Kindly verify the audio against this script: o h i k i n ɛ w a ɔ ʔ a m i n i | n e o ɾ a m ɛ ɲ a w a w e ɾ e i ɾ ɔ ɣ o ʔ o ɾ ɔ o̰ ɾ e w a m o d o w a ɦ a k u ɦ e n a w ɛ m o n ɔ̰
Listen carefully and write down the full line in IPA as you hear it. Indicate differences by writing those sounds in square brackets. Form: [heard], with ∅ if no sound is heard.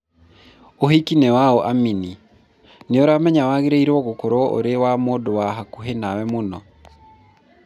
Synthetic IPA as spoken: o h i k i n ɛ w a ɔ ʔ a m i n i | n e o ɾ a m ɛ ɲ a w a [ɣ] e ɾ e i ɾ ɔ ɣ o [k] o ɾ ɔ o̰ ɾ e w a m o d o w a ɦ a k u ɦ e n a w ɛ m o n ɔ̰